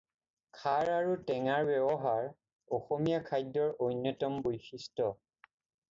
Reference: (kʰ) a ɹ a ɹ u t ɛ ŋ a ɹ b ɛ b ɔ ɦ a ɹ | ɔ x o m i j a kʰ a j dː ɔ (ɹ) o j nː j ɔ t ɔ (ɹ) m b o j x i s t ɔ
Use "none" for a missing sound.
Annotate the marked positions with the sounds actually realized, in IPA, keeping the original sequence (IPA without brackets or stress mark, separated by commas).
kʰ, ɹ, none